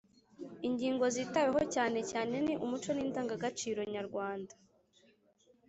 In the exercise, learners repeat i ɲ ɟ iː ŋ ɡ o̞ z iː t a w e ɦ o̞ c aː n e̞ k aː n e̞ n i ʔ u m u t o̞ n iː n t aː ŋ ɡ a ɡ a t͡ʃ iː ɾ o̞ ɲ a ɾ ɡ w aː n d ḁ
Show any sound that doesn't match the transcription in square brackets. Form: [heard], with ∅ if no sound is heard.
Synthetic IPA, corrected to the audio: i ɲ ɟ iː ŋ ɡ o̞ z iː t a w e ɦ o̞ c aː n e̞ [c] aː n e̞ n i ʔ u m u [t͡ʃ] o̞ n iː n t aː ŋ ɡ a ɡ a t͡ʃ iː ɾ o̞ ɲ a ɾ ɡ w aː n d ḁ